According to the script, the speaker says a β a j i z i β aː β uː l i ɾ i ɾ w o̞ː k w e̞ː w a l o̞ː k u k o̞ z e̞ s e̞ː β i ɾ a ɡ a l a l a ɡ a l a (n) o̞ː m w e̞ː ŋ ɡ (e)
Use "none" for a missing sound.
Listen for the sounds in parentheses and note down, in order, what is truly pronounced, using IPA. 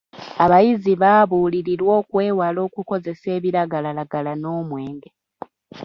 n, e

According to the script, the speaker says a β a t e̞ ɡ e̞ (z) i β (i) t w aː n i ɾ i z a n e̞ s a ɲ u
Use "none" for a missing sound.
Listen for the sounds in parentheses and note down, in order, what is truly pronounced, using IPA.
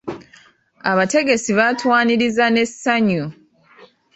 s, a

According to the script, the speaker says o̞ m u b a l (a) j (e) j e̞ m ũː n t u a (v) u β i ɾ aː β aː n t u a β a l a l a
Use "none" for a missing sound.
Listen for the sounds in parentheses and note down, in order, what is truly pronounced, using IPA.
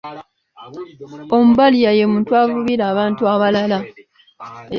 i, a, v

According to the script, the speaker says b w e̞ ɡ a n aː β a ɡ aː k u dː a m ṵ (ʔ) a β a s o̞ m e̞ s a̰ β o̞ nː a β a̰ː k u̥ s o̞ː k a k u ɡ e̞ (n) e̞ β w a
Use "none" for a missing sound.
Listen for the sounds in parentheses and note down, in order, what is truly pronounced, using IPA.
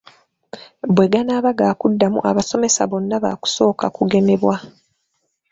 ʔ, n

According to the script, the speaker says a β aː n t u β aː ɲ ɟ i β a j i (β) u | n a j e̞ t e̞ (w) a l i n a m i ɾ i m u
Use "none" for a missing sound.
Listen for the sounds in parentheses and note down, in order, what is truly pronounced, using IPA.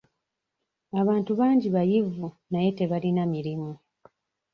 v, β

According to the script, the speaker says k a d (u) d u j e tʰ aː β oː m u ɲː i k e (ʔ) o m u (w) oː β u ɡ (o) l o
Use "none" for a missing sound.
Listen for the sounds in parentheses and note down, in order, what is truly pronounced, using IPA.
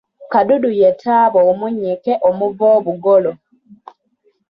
u, ʔ, v, o

